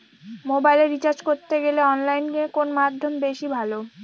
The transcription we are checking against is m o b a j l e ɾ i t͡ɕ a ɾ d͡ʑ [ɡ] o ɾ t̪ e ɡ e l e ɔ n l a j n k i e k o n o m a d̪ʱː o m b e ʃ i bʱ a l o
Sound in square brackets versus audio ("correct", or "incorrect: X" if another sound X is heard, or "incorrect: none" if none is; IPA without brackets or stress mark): incorrect: k